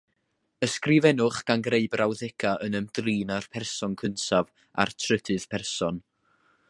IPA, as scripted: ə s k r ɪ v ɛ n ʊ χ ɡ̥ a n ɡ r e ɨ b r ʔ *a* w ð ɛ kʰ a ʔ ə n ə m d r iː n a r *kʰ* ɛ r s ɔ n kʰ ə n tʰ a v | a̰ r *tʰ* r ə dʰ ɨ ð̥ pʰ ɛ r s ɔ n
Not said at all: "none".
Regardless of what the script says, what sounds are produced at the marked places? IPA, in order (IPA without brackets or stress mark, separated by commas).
a, pʰ, tʰ